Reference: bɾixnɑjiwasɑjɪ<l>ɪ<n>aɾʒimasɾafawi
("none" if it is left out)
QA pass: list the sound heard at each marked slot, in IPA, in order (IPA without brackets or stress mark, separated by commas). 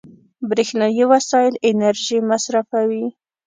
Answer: l, n